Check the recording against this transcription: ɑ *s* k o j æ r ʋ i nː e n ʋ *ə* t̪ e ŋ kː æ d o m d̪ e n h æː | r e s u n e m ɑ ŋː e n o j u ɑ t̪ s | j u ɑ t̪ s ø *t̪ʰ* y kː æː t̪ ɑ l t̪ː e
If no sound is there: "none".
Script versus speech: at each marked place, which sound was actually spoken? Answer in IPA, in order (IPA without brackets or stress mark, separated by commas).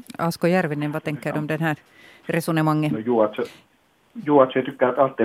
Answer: s, ɑ, t̪